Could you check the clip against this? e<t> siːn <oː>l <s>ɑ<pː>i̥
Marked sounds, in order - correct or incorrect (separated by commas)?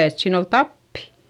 correct, incorrect, incorrect, correct